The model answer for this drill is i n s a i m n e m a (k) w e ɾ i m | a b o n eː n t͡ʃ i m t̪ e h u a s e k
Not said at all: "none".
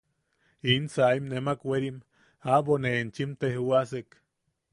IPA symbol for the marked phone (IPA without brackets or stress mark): k